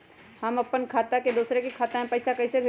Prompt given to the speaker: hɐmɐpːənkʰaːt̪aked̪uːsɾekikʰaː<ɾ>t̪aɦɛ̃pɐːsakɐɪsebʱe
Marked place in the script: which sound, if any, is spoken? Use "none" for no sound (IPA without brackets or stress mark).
none